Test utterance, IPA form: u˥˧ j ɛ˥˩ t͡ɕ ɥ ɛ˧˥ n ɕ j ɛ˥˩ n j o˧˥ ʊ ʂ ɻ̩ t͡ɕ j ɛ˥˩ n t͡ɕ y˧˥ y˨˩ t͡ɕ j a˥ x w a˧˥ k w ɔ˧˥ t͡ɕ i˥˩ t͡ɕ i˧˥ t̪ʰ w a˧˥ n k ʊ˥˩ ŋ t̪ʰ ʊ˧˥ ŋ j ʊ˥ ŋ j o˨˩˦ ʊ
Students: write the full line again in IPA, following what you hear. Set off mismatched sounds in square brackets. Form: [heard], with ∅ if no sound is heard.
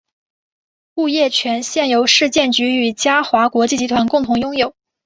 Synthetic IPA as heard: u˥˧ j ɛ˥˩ [t͡ɕʰ] ɥ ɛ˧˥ n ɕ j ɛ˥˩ n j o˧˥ ʊ ʂ ɻ̩ t͡ɕ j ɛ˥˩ n t͡ɕ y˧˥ y˨˩ t͡ɕ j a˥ x w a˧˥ k w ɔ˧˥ t͡ɕ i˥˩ t͡ɕ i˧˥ t̪ʰ w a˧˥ n k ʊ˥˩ ŋ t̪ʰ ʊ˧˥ ŋ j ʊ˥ ŋ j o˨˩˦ ʊ